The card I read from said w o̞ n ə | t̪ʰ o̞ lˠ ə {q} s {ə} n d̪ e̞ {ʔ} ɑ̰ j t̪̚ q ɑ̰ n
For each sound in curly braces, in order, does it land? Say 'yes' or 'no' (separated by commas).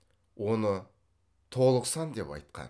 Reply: yes, no, no